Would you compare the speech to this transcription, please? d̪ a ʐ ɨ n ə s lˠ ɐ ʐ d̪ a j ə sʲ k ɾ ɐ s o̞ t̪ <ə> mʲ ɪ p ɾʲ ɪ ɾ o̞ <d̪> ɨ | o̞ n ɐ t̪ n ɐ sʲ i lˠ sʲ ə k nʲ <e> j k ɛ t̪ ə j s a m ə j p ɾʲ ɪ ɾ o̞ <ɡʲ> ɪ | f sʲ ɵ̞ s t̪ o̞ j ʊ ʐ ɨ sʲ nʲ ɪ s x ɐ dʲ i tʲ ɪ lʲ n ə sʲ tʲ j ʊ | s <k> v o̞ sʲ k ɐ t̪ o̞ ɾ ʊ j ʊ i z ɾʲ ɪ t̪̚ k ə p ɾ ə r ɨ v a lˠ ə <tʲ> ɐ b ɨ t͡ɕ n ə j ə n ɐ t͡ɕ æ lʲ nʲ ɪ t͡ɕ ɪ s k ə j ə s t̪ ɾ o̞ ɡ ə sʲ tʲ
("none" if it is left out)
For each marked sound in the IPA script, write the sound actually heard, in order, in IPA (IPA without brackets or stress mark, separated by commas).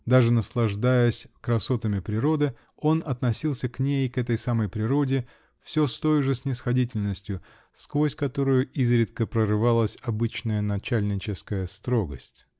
ə, d̪, e, dʲ, k, sʲ